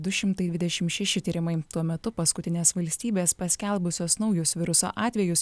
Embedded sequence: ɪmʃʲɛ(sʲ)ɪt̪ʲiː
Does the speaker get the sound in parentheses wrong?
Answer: yes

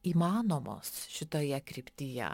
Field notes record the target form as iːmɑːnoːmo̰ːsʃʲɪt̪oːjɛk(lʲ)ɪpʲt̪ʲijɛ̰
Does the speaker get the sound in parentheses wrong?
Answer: yes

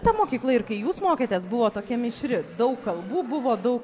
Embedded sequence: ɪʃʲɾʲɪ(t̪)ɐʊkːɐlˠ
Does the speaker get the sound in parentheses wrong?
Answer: yes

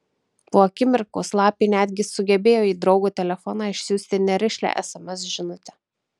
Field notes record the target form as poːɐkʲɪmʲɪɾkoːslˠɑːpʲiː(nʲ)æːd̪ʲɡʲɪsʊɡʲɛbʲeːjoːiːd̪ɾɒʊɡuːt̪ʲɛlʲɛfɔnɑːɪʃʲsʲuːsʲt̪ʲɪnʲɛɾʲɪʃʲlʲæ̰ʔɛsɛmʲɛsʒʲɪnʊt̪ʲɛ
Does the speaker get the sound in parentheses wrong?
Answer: no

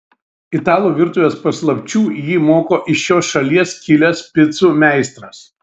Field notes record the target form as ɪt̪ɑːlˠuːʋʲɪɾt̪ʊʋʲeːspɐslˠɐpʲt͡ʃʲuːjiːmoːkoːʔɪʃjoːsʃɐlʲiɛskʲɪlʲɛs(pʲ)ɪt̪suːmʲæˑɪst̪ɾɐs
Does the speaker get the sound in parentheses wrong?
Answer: no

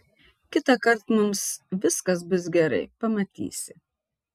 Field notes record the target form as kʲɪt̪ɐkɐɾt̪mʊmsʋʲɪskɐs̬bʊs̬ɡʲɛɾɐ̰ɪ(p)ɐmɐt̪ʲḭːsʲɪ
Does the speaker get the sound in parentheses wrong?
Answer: no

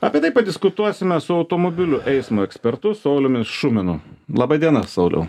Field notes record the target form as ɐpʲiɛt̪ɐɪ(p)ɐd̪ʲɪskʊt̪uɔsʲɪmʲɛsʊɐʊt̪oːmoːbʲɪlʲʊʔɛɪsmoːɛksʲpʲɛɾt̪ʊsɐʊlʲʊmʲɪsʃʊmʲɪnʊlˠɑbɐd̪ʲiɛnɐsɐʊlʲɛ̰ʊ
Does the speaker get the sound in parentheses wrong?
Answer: no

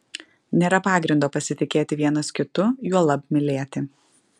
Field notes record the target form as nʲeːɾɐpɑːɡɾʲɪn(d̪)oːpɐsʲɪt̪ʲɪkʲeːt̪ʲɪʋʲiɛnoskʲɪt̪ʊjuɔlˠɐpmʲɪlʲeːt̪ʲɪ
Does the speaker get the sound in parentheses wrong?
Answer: no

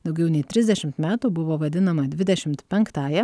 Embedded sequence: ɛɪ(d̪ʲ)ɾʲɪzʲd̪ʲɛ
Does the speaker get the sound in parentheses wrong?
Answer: yes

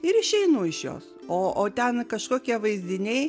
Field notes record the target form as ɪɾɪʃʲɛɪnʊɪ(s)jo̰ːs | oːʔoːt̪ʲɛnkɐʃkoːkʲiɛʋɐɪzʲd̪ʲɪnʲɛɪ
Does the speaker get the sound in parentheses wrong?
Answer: yes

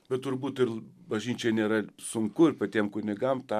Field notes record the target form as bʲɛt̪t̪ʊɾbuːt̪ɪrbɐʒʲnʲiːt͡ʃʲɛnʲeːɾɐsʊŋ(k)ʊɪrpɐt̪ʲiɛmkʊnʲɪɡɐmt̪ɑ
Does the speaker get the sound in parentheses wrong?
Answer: no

